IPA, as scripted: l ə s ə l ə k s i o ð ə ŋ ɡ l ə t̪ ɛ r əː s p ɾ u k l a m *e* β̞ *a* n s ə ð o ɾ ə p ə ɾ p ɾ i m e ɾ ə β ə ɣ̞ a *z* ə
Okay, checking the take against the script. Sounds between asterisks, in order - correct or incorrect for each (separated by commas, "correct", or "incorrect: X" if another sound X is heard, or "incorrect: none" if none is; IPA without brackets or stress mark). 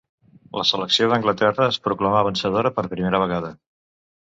incorrect: a, incorrect: ə, incorrect: ð